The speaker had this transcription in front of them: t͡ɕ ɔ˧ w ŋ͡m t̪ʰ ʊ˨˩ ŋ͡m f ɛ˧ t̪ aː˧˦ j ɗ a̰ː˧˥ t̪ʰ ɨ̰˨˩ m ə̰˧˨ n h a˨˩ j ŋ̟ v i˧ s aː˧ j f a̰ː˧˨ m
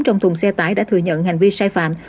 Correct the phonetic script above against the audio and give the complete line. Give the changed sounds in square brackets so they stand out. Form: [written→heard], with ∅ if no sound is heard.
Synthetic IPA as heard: t͡ɕ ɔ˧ w ŋ͡m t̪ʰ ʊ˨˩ ŋ͡m [f→s] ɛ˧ t̪ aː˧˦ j ɗ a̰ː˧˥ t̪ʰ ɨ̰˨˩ [m→ɲ] ə̰˧˨ n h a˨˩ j ŋ̟ v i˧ s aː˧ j f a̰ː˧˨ m

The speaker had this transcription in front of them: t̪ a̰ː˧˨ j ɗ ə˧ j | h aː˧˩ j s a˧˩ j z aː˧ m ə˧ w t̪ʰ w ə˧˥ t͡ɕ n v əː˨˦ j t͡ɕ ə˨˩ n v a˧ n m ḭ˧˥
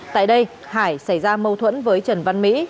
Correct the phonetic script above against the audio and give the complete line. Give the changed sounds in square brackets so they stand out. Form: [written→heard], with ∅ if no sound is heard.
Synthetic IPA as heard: t̪ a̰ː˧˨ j ɗ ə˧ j | h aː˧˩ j s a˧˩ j z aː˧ m ə˧ w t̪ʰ w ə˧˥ [t͡ɕ→∅] n v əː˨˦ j t͡ɕ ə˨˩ n v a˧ n m ḭ˧˥

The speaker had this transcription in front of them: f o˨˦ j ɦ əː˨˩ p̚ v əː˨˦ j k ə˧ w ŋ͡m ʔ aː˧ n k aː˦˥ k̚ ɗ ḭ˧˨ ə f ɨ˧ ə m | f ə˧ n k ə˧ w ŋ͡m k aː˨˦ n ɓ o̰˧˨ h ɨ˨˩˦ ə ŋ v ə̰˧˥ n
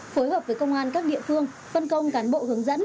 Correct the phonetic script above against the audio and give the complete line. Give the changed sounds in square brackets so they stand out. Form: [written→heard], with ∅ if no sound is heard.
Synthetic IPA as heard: f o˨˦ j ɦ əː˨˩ p̚ v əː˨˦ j k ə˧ w ŋ͡m ʔ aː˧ n k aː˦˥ k̚ ɗ ḭ˧˨ ə f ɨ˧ ə [m→ŋ] | f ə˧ n k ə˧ w ŋ͡m k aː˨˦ n ɓ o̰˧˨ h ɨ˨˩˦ ə ŋ [v→z] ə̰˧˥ n

